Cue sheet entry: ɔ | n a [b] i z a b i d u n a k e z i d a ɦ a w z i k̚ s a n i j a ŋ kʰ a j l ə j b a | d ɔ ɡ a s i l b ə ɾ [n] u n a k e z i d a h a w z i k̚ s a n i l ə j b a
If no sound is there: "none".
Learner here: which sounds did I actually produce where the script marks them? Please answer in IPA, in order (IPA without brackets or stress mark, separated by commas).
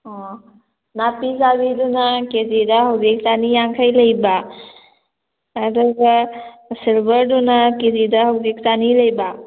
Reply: p, d